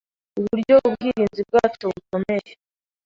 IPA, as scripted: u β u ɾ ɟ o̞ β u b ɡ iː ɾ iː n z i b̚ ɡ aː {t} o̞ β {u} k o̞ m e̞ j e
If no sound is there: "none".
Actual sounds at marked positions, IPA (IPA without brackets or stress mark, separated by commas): t͡ʃ, u